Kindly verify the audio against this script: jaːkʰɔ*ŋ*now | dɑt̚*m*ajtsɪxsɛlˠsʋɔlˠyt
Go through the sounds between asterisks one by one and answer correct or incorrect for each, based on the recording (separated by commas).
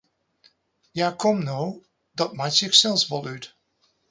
incorrect, correct